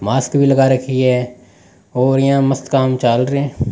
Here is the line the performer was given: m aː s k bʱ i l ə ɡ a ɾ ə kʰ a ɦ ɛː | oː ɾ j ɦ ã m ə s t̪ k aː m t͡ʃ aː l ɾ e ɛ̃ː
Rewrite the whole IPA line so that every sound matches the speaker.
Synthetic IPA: m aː s k bʱ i l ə ɡ a ɾ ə kʰ i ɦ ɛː | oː ɾ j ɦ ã m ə s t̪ k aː m t͡ʃ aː l ɾ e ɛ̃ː